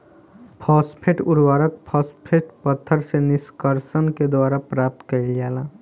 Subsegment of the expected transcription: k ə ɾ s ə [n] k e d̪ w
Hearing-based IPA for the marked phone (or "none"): n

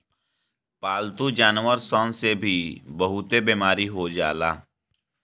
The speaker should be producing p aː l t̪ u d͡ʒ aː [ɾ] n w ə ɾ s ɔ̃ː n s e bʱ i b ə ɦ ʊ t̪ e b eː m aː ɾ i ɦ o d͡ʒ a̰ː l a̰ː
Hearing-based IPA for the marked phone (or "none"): none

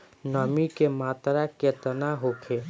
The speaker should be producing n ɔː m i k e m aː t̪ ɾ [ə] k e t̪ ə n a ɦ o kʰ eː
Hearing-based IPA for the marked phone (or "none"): a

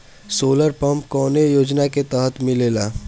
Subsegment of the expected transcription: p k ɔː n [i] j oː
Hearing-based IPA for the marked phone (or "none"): e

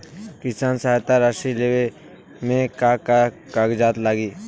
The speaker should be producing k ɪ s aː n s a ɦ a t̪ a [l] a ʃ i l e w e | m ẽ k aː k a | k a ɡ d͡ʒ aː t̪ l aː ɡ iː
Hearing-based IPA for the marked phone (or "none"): ɾ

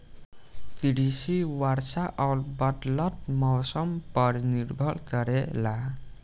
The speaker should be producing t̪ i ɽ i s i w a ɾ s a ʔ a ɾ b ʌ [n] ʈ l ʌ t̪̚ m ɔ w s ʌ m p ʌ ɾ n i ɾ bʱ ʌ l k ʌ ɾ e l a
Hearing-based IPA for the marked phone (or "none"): none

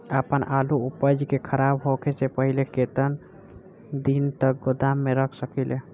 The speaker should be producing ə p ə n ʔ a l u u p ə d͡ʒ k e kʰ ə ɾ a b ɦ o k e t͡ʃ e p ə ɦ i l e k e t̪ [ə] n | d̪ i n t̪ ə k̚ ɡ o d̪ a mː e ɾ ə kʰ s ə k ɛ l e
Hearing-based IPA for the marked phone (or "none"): ə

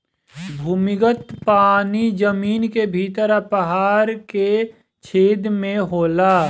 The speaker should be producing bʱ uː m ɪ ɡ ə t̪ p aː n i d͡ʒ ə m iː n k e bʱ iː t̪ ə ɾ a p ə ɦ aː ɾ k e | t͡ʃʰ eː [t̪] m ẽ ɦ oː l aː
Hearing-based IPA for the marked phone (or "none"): d̪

